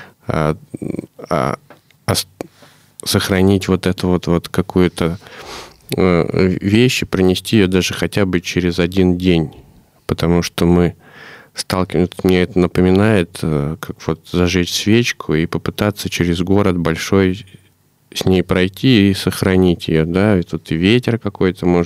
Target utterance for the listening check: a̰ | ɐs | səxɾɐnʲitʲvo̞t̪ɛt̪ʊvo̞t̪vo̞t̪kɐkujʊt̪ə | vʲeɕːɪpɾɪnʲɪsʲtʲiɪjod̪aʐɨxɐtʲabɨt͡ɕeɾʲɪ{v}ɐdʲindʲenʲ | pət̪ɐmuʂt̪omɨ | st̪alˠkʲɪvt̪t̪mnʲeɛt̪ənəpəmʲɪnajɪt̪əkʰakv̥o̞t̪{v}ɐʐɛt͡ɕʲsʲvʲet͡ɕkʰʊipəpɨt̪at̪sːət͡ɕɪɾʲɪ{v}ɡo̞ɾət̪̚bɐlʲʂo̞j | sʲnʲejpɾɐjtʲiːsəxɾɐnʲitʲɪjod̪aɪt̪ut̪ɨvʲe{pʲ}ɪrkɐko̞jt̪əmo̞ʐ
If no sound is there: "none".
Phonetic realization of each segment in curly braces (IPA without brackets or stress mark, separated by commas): z, z, z, tʲ